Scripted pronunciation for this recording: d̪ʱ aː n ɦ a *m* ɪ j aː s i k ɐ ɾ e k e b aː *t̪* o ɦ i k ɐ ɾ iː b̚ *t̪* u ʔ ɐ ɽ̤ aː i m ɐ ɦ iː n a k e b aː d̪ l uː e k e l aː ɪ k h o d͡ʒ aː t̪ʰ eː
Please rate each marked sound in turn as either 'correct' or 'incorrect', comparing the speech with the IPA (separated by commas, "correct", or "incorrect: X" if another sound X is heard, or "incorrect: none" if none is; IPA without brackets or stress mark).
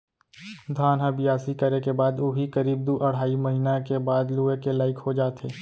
incorrect: b, incorrect: d̪, incorrect: d̪